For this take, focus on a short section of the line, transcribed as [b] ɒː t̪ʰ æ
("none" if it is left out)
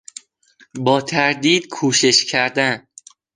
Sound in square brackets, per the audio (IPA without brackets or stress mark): b